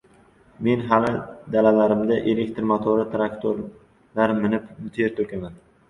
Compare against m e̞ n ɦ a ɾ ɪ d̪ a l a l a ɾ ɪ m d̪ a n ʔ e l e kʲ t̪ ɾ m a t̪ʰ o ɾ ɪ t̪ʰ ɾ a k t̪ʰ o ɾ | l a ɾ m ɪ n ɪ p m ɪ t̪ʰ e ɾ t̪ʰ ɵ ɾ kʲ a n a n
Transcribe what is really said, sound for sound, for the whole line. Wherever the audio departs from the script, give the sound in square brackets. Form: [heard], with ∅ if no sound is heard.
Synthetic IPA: m e̞ n ɦ a [l] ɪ d̪ a l a l a ɾ ɪ m d̪ a [∅] ʔ e l e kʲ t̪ ɾ m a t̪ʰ o ɾ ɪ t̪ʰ ɾ a k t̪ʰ o ɾ | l a ɾ m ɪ n ɪ p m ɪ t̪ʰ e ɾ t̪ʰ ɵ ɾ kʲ a [m] a n